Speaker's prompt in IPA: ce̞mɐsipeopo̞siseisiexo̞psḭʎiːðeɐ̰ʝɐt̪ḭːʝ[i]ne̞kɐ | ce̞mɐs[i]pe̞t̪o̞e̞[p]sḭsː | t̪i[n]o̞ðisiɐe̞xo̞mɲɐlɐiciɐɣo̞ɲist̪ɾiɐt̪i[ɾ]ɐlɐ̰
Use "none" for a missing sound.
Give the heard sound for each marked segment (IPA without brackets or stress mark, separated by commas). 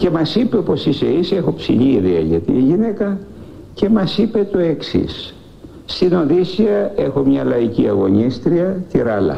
i, i, k, n, ɾ